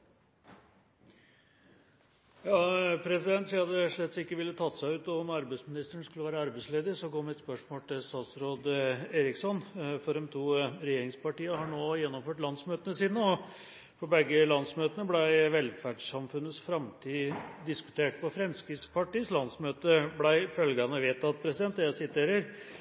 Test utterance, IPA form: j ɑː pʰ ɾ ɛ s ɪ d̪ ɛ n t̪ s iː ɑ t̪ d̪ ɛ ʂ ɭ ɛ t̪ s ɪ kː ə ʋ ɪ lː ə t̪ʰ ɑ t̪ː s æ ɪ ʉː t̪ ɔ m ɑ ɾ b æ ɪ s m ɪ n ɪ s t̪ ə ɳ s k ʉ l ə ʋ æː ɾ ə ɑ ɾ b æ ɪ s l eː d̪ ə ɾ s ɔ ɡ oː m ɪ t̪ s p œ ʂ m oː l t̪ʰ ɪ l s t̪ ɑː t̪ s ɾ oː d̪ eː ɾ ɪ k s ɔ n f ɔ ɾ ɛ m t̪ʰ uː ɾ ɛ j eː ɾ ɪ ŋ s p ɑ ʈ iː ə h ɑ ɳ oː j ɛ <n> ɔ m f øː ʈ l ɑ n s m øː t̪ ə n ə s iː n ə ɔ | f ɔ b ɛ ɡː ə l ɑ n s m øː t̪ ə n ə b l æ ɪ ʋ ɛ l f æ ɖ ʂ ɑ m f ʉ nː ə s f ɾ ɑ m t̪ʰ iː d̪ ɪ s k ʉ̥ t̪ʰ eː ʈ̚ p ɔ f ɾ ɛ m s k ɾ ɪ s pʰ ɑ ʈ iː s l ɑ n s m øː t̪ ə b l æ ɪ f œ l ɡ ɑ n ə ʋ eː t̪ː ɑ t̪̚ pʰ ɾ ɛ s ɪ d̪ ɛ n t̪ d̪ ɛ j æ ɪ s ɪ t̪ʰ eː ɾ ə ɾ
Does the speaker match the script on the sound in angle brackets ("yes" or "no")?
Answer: no